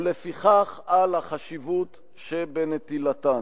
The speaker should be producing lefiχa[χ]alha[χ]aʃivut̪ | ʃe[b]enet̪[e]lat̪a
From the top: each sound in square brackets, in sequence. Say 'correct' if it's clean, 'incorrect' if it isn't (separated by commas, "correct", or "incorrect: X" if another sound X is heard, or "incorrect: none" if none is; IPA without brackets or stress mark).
correct, correct, correct, incorrect: i